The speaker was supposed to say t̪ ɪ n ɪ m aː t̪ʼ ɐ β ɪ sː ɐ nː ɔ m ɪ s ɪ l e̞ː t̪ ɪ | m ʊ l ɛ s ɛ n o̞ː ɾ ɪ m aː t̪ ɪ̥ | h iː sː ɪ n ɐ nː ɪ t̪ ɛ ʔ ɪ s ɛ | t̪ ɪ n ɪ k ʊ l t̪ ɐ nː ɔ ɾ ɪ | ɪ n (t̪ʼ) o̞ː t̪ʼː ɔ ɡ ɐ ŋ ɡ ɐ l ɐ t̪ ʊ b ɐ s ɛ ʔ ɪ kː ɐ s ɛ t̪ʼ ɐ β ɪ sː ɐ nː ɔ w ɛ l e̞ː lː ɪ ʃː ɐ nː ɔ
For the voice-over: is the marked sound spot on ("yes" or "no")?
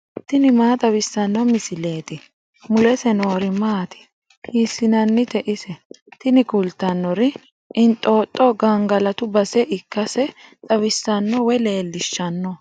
yes